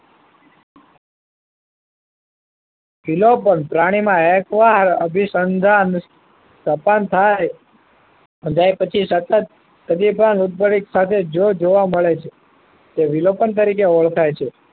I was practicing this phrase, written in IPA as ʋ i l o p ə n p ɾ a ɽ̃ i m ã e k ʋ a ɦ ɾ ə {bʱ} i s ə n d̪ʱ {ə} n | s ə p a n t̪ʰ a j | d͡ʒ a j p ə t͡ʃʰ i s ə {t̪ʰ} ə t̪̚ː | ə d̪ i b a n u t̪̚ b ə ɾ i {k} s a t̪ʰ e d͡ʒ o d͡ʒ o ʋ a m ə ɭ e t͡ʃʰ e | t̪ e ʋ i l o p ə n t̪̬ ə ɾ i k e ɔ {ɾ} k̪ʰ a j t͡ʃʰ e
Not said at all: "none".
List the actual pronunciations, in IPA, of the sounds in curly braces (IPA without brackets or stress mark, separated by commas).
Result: bʱ, a, t̪, k, ɭ